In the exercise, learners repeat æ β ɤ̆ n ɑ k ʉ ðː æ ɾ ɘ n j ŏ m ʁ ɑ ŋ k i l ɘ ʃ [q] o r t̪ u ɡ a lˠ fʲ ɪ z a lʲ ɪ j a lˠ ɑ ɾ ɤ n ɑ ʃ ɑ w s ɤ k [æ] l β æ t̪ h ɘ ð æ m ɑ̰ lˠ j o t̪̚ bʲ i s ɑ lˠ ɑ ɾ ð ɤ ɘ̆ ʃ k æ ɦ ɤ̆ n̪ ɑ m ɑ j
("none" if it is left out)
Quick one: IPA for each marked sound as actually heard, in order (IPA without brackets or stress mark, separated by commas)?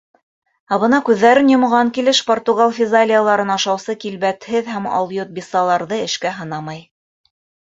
p, i